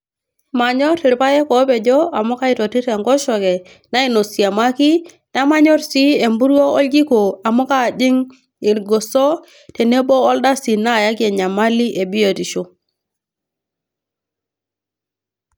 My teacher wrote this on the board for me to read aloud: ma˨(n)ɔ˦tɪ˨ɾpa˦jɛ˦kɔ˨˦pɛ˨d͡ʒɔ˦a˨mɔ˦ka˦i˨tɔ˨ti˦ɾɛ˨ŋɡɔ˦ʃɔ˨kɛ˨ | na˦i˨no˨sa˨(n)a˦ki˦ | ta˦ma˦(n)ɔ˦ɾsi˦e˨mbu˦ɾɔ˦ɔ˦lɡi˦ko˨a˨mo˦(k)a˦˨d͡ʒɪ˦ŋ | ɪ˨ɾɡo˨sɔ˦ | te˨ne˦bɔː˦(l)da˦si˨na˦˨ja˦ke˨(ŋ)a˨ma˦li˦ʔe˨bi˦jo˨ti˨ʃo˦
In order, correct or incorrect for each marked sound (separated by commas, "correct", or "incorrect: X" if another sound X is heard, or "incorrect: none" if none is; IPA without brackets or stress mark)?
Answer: incorrect: ɲ, incorrect: m, incorrect: ɲ, correct, correct, incorrect: ɲ